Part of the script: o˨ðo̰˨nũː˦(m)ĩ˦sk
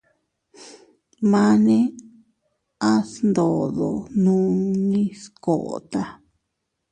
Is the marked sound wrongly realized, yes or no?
yes